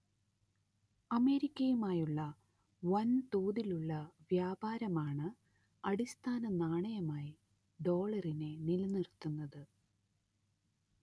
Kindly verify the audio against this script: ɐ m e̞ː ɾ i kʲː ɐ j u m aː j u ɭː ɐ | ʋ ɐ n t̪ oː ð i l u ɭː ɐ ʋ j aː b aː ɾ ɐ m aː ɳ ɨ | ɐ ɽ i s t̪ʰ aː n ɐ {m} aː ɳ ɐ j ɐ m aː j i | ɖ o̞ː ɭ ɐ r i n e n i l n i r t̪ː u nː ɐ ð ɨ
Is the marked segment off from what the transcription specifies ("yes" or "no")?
yes